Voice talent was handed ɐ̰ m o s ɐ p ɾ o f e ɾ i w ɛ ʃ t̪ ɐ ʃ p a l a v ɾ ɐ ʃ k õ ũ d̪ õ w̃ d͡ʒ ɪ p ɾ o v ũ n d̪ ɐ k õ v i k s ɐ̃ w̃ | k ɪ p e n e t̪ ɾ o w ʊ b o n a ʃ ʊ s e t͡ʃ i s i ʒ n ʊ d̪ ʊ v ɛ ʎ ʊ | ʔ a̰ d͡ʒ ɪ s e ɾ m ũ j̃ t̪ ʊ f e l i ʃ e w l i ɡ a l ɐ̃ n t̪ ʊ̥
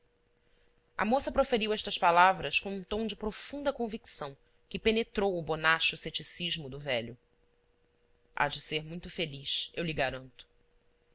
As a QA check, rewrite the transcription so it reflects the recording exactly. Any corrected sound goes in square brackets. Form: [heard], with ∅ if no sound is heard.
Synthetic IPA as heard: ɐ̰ m o s ɐ p ɾ o f e ɾ i w ɛ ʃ t̪ ɐ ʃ p a l a v ɾ ɐ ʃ k õ ũ [t̪] õ w̃ d͡ʒ ɪ p ɾ o [f] ũ n d̪ ɐ k õ v i k s ɐ̃ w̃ | k ɪ p e n e t̪ ɾ o w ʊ b o n a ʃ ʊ s e t͡ʃ i s i ʒ [m] ʊ d̪ ʊ v ɛ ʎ ʊ | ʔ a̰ d͡ʒ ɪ s e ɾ m ũ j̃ t̪ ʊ f e l i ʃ e w l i ɡ a [ɾ] ɐ̃ n t̪ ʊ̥

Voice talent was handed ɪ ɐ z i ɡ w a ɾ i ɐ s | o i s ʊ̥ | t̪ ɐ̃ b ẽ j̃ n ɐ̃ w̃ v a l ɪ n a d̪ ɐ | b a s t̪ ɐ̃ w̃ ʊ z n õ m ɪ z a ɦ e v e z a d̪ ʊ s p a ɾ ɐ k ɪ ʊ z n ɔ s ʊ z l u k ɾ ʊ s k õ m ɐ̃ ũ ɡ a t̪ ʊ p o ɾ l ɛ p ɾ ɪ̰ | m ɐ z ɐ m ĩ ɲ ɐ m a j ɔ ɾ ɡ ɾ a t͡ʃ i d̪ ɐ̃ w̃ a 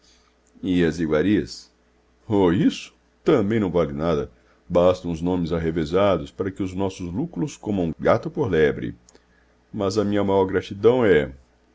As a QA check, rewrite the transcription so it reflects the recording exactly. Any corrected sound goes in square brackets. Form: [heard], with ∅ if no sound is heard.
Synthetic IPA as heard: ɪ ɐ z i ɡ w a ɾ i ɐ s | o i s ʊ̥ | t̪ ɐ̃ b ẽ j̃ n ɐ̃ w̃ v a l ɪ n a d̪ ɐ | b a s t̪ ɐ̃ w̃ ʊ z n õ m ɪ z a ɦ e v e z a d̪ ʊ s p a ɾ ɐ k ɪ ʊ z n ɔ s ʊ z l u k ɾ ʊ s k õ m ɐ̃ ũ ɡ a t̪ ʊ p o ɾ l ɛ [b] ɾ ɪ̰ | m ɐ z ɐ m ĩ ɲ ɐ m a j ɔ ɾ ɡ ɾ a t͡ʃ i d̪ ɐ̃ w̃ [ɛ]

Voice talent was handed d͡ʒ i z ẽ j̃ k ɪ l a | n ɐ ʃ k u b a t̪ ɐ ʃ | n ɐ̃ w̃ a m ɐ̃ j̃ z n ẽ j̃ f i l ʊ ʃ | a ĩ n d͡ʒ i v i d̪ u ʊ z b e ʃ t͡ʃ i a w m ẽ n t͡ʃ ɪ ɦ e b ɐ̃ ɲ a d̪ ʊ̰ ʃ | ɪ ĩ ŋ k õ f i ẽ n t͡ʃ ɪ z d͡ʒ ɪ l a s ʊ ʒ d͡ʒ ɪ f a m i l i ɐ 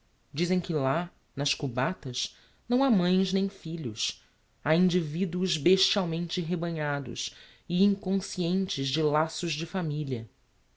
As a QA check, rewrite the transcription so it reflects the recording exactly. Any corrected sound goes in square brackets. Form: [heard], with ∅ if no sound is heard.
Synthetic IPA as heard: d͡ʒ i z ẽ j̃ k ɪ l a | n ɐ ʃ k u b a t̪ ɐ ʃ | n ɐ̃ w̃ a m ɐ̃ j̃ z n ẽ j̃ f i [ʎ] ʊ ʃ | a ĩ n d͡ʒ i v i d̪ u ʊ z b e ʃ t͡ʃ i a w m ẽ n t͡ʃ ɪ ɦ e b ɐ̃ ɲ a d̪ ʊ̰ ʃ | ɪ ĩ ŋ k õ [s] i ẽ n t͡ʃ ɪ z d͡ʒ ɪ l a s ʊ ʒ d͡ʒ ɪ f a m i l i ɐ

